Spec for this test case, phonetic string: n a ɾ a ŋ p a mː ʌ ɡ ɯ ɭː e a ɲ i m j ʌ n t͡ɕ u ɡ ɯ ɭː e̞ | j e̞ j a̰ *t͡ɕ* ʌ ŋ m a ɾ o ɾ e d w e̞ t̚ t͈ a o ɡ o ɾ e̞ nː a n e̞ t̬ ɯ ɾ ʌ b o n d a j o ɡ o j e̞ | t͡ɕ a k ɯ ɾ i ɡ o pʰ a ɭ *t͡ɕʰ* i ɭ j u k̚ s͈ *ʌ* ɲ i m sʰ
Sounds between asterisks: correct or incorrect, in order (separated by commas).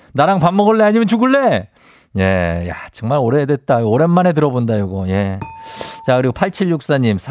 correct, correct, incorrect